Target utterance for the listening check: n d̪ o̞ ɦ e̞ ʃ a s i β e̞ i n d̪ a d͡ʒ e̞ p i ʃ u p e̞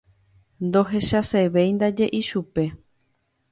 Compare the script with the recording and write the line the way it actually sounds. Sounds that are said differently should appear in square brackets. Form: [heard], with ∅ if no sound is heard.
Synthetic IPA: n d̪ o̞ ɦ e̞ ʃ a s [e] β e̞ [j] n d̪ a d͡ʒ e̞ [ʔ] i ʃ u p e̞